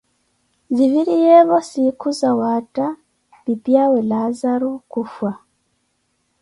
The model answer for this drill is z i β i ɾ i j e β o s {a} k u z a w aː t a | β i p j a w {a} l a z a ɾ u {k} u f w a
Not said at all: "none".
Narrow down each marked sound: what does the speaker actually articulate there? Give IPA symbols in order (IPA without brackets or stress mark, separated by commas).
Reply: i, e, k